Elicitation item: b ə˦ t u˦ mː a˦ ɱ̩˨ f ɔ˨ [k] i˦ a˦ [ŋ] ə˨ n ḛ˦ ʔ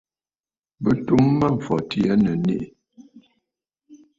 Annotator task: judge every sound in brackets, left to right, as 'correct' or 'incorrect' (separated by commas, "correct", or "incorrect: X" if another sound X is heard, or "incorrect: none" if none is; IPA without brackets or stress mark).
incorrect: t, incorrect: n